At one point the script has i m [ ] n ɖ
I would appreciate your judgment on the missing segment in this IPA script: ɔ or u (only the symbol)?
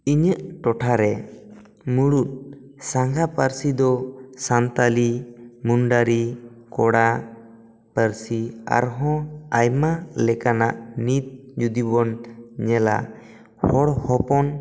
u